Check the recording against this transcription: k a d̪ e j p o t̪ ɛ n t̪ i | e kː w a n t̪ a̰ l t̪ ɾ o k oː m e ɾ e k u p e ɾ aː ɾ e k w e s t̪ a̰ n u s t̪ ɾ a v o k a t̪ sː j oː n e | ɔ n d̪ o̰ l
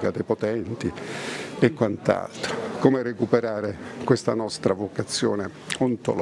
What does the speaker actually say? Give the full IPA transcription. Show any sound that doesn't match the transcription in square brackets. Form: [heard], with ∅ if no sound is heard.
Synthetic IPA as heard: k a d̪ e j p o t̪ ɛ n t̪ i | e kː w a n t̪ a̰ l t̪ ɾ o k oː m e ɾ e k u p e ɾ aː ɾ e k w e s t̪ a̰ n [ɔ] s t̪ ɾ a v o k a t̪ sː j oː n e | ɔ n [t̪] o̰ l